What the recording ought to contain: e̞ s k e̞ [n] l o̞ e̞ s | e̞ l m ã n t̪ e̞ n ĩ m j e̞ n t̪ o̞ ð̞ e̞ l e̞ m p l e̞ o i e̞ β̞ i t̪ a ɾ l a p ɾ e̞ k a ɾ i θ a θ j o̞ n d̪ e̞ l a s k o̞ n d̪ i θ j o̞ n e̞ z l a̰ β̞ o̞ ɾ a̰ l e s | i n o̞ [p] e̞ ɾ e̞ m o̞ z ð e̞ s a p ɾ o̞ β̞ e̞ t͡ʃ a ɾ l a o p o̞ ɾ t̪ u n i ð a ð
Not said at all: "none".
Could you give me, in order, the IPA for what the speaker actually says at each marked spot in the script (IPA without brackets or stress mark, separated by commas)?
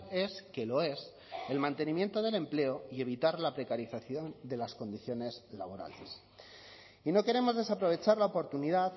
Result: none, k